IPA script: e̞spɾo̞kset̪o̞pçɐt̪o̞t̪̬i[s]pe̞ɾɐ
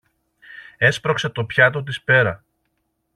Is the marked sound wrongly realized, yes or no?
no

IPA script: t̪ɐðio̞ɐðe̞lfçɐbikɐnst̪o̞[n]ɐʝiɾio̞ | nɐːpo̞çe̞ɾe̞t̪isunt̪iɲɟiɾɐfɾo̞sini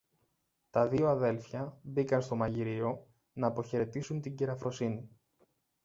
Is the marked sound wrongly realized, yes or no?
yes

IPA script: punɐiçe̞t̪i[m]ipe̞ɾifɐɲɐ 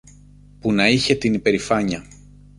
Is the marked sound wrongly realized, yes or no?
yes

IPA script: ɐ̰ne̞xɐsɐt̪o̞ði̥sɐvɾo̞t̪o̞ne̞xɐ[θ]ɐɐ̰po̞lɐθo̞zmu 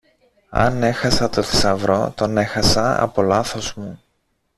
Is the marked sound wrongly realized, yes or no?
yes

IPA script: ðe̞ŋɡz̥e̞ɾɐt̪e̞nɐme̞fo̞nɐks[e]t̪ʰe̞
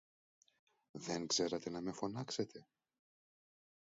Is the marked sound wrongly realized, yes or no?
no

